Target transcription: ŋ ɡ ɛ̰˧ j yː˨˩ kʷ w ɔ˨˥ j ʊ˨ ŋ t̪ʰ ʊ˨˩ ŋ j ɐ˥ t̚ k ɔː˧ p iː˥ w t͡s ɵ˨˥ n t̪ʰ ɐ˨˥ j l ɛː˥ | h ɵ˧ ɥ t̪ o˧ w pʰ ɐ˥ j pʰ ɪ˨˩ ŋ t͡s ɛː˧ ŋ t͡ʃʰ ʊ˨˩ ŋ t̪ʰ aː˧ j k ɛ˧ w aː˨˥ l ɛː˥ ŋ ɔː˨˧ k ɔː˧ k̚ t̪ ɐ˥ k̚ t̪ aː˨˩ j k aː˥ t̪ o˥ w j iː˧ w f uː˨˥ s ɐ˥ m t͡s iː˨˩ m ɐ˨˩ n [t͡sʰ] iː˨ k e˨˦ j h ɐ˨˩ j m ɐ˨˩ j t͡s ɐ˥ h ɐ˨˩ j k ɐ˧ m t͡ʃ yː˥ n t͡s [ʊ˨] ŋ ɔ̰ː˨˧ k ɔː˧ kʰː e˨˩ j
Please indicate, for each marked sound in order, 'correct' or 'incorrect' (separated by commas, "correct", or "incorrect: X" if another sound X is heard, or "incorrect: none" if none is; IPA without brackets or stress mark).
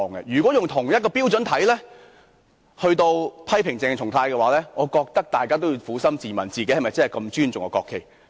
incorrect: t͡s, correct